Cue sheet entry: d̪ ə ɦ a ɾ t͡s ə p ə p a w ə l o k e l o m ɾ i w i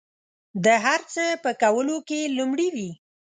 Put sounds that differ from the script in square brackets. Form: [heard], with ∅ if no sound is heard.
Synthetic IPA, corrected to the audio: d̪ ə ɦ a ɾ t͡s ə p ə [k] a w ə l o k e l [u] m [ɽ] i w i